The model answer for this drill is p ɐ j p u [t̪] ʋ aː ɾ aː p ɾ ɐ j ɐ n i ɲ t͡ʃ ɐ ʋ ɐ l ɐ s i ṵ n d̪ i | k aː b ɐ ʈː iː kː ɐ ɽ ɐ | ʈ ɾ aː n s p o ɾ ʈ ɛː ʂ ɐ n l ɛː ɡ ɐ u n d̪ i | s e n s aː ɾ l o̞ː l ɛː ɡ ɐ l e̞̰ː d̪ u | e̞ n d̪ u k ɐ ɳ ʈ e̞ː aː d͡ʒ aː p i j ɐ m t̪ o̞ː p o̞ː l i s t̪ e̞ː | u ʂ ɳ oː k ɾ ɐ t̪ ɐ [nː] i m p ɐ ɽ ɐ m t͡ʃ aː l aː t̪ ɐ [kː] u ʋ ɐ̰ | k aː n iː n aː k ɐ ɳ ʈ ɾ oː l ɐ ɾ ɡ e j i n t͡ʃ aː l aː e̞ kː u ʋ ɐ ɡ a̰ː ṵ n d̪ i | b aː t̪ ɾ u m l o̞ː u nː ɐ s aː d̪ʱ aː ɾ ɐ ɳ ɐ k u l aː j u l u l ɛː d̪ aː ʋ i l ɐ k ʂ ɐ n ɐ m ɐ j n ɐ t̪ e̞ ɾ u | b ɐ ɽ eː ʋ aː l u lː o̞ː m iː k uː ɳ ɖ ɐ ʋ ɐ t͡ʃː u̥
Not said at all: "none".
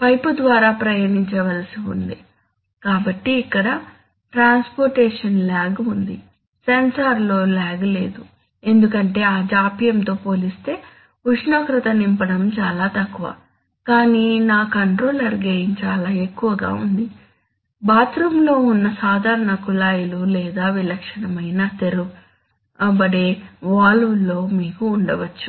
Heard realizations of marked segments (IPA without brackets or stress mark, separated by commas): d̪, n, kː